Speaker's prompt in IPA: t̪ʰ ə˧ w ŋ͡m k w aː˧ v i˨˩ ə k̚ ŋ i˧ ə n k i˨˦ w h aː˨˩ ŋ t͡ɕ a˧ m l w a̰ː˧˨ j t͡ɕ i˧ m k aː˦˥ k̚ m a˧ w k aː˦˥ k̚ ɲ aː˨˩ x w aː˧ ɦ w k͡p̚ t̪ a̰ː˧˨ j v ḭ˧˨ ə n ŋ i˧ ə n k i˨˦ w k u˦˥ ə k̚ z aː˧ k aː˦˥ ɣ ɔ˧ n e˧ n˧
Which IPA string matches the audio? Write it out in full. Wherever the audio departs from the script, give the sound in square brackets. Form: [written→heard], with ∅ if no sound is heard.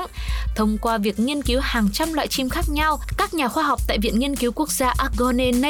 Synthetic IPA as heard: t̪ʰ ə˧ w ŋ͡m k w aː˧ v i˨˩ ə k̚ ŋ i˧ ə n k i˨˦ w h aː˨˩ ŋ t͡ɕ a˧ m l w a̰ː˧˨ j t͡ɕ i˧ m [k→x] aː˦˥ k̚ [m→ɲ] a˧ w k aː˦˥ k̚ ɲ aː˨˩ x w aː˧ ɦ w k͡p̚ t̪ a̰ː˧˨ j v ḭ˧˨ ə n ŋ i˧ ə n k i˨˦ w k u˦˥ ə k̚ z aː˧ [k→ʔ] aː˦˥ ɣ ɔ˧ n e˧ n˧